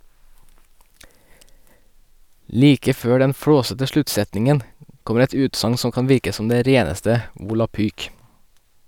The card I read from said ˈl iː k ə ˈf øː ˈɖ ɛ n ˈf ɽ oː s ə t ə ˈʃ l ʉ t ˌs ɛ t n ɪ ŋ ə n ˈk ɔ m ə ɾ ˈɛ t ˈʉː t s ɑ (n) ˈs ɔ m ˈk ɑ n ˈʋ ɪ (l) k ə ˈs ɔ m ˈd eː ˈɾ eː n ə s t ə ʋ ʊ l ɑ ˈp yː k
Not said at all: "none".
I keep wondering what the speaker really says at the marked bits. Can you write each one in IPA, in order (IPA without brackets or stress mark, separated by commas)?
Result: ŋ, ɾ